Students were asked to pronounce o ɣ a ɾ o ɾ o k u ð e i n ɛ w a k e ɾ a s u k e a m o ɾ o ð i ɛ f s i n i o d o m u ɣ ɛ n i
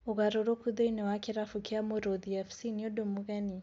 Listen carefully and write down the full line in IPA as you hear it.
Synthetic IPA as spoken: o ɣ a ɾ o ɾ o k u ð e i n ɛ w a k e ɾ a f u k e a m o ɾ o ð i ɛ f s i n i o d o m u ɣ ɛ n i

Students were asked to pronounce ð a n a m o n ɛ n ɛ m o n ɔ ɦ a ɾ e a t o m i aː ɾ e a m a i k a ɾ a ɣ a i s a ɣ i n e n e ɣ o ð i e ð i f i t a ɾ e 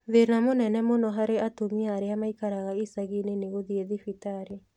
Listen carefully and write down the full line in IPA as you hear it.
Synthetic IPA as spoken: ð e n a m o n ɛ n ɛ m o n ɔ ɦ a ɾ e a t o m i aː ɾ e a m a i k a ɾ a ɣ a i s a ɣ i n e n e ɣ o ð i e ð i f i t a ɾ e

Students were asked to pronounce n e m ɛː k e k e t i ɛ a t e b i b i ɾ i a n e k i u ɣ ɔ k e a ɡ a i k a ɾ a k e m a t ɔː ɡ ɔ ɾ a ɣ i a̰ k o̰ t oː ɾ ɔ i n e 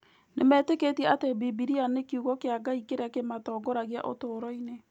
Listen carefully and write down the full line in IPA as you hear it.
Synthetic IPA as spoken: n e m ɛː t e k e t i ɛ a t e b i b i ɾ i a n e k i u ɣ ɔ k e a ɡ a i k e ɾ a k e m a t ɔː ɡ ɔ ɾ a ɣ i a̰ ʔ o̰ t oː ɾ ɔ i n e

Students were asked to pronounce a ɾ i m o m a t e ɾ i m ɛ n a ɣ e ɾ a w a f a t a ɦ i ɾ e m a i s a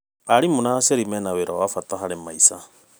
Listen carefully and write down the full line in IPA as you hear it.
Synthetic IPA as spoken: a ɾ i m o n a s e ɾ i m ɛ n a w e ɾ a w a f a t a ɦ a ɾ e m a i s a

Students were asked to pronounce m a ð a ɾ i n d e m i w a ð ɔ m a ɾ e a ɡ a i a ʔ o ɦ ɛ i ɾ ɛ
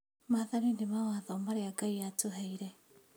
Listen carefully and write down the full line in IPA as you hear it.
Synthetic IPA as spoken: m a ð a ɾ i n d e m a w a ð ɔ m a ɾ e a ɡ a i a t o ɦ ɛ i ɾ ɛ

